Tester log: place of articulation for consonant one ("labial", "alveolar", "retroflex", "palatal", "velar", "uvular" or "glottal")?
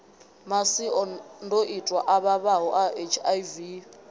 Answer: labial